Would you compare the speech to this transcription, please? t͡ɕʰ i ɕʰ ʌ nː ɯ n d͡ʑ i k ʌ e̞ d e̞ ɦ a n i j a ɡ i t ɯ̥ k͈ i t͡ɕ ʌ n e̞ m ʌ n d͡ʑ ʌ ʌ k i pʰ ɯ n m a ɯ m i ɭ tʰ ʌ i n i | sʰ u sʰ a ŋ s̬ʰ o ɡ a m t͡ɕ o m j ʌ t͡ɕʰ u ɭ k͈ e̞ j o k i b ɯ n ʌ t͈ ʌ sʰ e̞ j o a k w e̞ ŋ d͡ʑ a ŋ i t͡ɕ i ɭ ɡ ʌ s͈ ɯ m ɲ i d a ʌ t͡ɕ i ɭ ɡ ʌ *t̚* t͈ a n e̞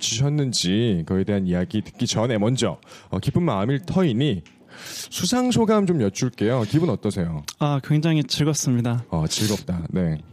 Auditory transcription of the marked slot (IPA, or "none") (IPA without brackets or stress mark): p̚